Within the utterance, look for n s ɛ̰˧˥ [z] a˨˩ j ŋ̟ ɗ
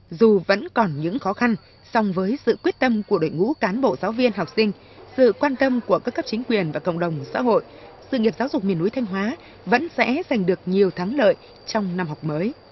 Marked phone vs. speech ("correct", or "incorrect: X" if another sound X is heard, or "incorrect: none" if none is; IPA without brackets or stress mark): correct